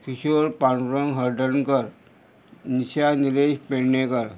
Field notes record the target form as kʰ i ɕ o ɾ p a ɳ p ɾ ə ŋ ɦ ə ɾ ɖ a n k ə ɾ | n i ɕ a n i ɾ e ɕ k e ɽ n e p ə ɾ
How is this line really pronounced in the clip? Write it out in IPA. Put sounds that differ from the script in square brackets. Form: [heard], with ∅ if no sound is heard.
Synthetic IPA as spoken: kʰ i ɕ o ɾ p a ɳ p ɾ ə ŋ ɦ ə ɾ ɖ [ə] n k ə ɾ | n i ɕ a n i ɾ e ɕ [p] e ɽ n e [k] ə ɾ